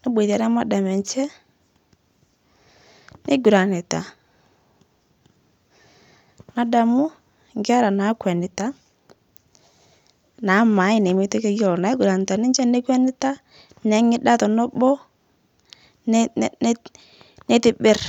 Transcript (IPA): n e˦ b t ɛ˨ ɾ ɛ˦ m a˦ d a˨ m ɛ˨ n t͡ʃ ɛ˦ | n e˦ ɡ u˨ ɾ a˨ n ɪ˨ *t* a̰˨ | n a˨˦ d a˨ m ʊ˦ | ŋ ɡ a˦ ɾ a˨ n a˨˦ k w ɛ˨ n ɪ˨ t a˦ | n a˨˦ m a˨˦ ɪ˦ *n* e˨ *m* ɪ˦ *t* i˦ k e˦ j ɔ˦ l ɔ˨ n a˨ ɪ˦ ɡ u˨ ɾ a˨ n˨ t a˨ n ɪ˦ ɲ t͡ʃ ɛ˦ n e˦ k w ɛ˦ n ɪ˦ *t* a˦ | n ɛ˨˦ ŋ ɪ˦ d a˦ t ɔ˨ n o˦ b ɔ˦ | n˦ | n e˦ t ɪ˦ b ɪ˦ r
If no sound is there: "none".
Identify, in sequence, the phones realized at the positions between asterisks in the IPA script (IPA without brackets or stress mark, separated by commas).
t, n, m, t, t